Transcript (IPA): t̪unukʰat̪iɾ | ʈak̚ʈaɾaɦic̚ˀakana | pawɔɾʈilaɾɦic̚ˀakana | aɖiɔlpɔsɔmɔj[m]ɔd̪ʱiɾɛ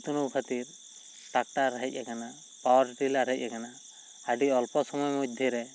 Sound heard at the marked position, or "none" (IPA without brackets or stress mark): m